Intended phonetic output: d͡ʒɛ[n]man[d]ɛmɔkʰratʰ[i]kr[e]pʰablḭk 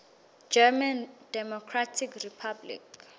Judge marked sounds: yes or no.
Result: no, yes, yes, no

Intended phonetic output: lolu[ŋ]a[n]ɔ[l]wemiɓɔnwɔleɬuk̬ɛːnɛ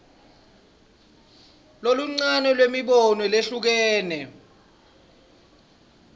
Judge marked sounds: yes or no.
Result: no, yes, yes

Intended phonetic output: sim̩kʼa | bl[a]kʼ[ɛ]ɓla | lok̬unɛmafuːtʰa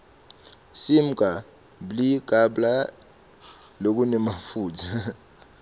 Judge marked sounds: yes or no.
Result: no, no

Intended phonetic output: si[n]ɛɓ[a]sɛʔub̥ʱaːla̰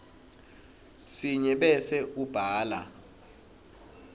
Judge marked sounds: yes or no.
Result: no, no

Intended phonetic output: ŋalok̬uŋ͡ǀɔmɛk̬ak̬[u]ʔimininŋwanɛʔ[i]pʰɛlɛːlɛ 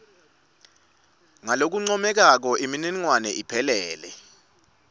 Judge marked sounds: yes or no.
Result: no, yes

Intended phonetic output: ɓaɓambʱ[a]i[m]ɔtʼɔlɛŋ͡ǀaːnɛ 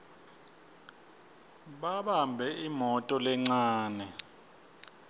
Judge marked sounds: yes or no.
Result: no, yes

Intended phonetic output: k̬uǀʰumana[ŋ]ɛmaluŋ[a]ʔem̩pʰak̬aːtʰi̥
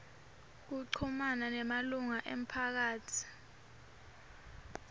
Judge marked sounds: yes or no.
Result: no, yes

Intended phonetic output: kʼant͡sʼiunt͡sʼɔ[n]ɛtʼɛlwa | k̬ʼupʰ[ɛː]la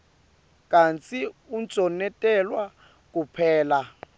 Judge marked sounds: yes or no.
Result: yes, yes

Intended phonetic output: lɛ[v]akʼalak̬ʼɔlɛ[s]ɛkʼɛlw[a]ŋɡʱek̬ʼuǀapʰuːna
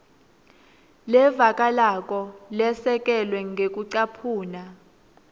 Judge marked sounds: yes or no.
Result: yes, yes, no

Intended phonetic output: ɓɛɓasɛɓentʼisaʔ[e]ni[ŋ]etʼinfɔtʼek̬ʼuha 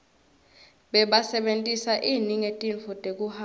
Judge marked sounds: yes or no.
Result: no, yes

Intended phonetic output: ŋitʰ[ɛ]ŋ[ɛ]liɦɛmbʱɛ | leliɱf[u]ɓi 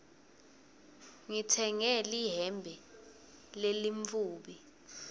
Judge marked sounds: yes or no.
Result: yes, yes, no

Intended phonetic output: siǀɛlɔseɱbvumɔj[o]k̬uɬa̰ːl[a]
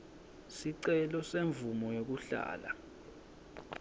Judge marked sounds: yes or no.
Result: yes, yes

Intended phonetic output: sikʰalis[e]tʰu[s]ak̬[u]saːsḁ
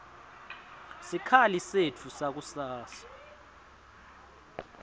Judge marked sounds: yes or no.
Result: yes, yes, yes

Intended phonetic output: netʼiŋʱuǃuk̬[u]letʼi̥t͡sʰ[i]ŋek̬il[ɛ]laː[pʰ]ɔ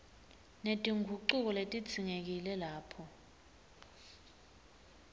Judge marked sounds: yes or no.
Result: no, yes, yes, yes

